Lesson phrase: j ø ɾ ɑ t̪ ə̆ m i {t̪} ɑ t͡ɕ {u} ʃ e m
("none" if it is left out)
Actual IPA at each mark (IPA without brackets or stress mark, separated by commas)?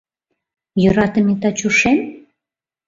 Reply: t̪, u